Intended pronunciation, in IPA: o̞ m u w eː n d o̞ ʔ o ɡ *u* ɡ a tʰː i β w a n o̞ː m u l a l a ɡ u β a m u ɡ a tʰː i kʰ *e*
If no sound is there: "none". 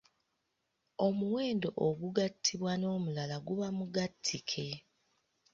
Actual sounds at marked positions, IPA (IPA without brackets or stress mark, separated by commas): u, e